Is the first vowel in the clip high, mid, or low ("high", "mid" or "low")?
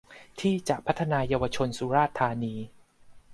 high